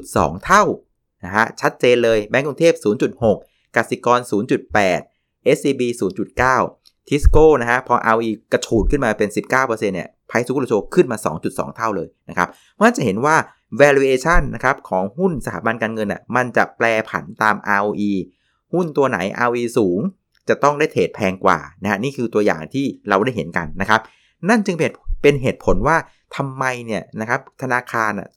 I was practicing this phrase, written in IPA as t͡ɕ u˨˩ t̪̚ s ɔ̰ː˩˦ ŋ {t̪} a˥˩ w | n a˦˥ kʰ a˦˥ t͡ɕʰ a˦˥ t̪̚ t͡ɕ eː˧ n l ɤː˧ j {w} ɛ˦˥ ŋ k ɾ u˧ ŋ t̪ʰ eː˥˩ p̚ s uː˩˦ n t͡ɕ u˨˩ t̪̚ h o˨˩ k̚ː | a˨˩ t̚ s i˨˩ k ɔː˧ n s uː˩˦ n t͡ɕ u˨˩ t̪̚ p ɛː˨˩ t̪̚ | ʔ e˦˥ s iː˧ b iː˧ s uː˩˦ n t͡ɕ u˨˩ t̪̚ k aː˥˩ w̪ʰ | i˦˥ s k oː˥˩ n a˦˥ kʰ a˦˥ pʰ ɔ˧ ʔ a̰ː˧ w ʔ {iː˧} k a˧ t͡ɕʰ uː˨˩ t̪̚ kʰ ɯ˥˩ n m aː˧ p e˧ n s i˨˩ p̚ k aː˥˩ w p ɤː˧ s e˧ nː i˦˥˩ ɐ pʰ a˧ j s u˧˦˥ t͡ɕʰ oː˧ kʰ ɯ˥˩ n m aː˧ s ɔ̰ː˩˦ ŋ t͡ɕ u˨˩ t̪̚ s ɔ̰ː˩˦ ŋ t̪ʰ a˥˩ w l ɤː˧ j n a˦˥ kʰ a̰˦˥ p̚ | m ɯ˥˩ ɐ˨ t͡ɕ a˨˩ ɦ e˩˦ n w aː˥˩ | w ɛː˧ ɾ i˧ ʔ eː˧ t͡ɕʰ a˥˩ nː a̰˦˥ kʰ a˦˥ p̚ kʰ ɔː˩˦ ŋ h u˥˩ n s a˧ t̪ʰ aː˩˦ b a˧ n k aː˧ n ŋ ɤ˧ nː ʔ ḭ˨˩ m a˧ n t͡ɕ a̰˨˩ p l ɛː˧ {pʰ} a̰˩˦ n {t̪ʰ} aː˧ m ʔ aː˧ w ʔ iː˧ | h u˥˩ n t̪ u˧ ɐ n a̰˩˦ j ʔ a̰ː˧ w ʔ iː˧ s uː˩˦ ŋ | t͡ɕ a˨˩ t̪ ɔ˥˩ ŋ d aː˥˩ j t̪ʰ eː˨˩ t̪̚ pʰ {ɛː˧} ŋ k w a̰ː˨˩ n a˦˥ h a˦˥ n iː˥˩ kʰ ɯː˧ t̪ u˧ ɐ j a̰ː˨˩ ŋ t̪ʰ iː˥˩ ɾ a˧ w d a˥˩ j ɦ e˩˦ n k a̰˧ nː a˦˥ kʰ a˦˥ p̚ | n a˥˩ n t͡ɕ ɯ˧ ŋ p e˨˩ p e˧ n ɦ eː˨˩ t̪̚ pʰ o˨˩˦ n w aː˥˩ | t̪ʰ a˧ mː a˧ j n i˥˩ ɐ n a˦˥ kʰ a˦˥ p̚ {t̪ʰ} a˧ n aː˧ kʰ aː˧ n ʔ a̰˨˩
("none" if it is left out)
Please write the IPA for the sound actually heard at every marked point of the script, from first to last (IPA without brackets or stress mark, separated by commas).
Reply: t̪ʰ, b, iː˧, pʰ, t̪, ɛː˧, t̪ʰ